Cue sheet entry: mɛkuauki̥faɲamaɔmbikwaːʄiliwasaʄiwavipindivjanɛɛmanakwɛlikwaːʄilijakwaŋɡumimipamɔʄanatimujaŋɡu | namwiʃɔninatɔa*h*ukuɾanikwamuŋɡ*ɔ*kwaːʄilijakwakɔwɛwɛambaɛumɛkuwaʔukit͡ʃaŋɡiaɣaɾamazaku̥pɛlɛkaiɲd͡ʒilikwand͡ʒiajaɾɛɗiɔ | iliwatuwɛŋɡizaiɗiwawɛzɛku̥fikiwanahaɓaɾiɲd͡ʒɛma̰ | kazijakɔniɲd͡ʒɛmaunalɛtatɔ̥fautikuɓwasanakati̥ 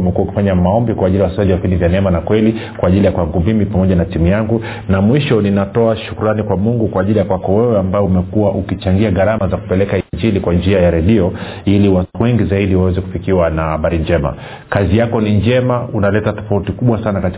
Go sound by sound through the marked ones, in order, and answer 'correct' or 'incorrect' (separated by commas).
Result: incorrect, incorrect